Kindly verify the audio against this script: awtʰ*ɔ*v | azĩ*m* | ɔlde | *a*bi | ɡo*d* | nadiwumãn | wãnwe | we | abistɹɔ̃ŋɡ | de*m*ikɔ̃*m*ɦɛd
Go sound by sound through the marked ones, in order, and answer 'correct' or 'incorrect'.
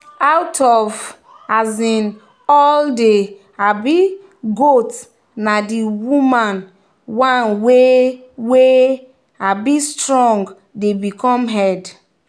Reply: correct, incorrect: n, correct, incorrect: t, incorrect: b, correct

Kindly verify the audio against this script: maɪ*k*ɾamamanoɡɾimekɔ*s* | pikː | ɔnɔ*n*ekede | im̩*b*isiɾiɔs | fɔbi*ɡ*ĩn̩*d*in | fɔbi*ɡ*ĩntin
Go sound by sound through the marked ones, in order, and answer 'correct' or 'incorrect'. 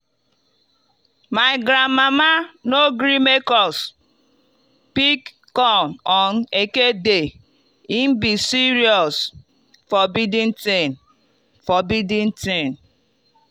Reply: incorrect: ɡ, correct, correct, correct, incorrect: d, incorrect: t, incorrect: d

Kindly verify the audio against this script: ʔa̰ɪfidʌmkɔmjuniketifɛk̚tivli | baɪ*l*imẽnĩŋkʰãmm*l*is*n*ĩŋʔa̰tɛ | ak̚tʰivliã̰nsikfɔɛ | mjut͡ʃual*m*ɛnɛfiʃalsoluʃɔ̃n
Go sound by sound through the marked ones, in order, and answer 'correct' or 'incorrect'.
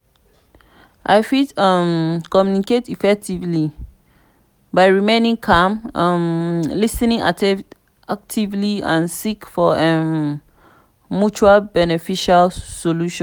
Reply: incorrect: ɹ, correct, correct, incorrect: b

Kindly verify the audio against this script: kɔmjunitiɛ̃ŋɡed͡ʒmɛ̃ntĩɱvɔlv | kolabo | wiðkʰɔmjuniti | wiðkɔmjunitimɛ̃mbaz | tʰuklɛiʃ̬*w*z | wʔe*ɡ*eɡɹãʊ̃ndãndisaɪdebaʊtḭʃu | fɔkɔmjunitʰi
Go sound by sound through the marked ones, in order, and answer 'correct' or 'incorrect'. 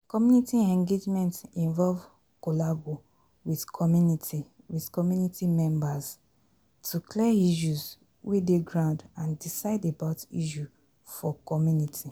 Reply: incorrect: u, incorrect: d

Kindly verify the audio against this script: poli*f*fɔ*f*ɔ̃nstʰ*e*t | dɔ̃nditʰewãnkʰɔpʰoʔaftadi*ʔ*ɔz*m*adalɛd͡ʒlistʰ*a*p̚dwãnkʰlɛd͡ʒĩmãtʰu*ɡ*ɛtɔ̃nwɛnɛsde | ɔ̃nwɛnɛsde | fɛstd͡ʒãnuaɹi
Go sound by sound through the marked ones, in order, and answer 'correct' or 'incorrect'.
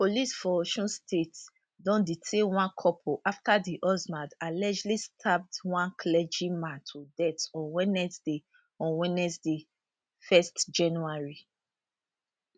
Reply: incorrect: s, incorrect: ʃ, correct, correct, correct, correct, incorrect: d

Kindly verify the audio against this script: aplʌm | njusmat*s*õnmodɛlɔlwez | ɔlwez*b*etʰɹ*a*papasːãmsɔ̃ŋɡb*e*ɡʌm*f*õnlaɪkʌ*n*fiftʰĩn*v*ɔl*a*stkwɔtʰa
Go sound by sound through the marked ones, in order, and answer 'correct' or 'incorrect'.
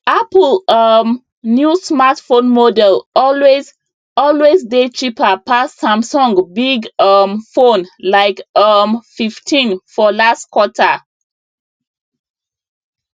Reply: incorrect: f, incorrect: d, incorrect: i, incorrect: i, correct, incorrect: m, incorrect: f, correct

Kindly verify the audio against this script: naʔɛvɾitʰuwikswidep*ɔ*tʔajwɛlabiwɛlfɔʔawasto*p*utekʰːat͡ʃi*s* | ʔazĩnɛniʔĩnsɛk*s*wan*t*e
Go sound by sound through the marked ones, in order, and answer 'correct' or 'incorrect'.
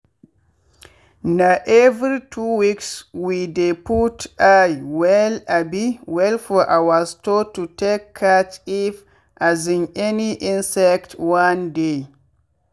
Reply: incorrect: u, incorrect: t, incorrect: f, incorrect: t, incorrect: d

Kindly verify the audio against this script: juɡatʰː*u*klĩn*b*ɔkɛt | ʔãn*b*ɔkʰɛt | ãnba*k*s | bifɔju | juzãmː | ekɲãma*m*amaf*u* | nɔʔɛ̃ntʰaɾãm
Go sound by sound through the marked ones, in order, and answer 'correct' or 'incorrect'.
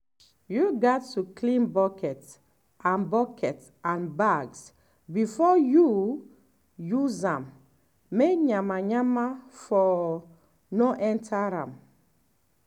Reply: correct, correct, correct, incorrect: ɡ, incorrect: ɲ, incorrect: ɔ

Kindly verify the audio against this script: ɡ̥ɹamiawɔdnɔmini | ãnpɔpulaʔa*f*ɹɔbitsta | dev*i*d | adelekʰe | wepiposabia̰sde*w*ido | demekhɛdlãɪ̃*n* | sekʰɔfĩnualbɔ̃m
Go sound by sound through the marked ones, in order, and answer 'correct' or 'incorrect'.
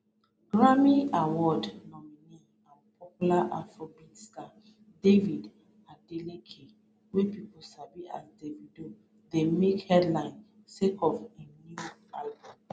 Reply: correct, correct, incorrect: v, correct

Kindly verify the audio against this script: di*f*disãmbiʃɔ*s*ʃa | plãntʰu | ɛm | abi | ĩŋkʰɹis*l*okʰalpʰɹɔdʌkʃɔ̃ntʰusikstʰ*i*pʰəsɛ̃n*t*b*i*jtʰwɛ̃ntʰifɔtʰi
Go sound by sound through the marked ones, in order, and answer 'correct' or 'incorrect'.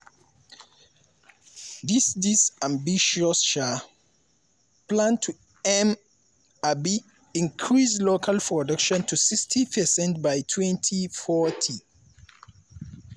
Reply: incorrect: s, correct, correct, correct, correct, incorrect: a

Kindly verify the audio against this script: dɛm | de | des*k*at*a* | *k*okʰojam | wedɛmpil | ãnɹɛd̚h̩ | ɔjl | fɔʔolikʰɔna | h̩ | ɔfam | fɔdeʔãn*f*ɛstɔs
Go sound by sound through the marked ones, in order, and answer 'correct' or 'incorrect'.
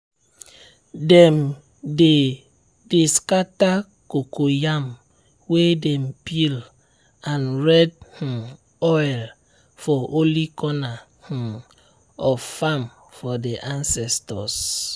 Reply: correct, correct, correct, incorrect: s

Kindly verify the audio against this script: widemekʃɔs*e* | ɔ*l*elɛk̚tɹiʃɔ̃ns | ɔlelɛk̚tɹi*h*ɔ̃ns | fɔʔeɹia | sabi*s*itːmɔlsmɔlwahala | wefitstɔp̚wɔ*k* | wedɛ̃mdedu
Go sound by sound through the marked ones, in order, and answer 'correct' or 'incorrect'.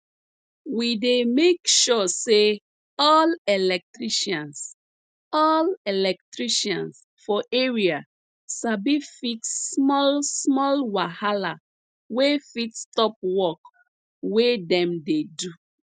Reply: correct, correct, incorrect: ʃ, incorrect: f, correct

